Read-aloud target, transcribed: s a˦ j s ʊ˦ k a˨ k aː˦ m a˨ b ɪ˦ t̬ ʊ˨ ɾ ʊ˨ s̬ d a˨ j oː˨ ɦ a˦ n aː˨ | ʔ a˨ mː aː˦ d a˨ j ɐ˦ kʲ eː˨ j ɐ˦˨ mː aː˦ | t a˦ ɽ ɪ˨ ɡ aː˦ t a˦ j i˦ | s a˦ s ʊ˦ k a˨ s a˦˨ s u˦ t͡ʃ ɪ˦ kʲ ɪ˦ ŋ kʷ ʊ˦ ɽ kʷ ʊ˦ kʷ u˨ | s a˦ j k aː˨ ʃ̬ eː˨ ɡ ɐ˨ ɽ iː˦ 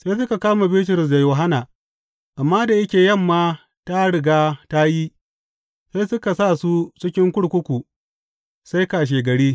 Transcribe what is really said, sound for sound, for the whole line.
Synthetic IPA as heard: s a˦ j s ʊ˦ k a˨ k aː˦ m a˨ b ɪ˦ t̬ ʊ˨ ɾ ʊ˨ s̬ d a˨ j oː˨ ɦ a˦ n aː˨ | ʔ a˨ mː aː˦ d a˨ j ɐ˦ kʲ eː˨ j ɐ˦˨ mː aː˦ | t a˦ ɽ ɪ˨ ɡ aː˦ t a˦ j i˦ | s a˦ s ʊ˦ k a˨ s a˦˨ s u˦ t͡ʃ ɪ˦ kʲ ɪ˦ ŋ kʷ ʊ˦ ɽ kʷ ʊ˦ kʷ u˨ | s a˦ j k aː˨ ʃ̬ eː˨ ɡ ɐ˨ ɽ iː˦